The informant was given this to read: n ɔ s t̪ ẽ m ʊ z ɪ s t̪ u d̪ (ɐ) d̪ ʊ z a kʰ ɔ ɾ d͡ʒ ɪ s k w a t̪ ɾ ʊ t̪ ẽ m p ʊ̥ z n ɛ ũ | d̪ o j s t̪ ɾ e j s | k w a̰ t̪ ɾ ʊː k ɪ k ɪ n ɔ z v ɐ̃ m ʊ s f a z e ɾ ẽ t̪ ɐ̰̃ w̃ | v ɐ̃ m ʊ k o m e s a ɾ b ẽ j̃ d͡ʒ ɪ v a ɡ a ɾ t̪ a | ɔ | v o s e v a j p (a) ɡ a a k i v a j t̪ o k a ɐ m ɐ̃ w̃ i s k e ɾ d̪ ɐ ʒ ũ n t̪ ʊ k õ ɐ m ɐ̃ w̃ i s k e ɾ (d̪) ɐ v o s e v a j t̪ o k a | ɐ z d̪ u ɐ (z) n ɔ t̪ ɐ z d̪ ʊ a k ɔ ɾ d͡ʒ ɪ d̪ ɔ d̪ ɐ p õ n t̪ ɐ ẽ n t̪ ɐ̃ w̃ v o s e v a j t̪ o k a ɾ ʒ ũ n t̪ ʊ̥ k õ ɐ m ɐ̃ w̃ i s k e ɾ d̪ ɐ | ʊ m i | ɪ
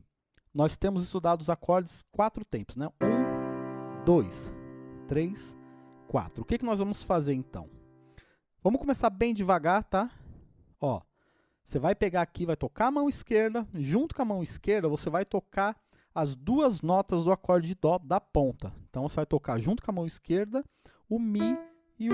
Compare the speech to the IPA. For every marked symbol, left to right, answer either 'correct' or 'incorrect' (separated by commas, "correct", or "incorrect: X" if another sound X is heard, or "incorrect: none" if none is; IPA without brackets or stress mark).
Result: incorrect: a, incorrect: e, correct, correct